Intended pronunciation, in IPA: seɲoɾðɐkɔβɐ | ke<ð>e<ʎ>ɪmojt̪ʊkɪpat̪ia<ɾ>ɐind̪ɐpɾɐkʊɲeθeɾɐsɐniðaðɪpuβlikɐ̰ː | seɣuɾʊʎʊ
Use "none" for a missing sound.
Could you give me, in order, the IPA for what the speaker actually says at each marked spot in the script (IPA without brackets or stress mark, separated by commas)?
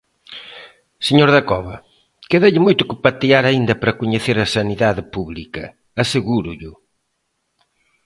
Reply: ð, ʎ, ɾ